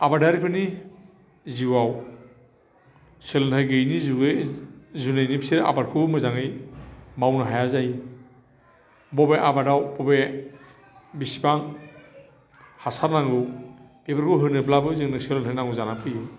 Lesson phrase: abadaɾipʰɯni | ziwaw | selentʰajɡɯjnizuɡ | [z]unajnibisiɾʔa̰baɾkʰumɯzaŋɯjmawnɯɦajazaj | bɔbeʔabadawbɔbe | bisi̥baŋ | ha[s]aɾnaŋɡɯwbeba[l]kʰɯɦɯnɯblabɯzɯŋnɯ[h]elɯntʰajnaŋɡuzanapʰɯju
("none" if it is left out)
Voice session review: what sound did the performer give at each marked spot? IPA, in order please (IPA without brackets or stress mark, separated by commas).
z, s, ɾ, s